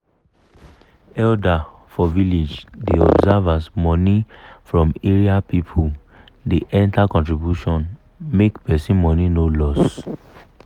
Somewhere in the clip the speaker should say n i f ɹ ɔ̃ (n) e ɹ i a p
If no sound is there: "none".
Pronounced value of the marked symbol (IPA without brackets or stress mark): m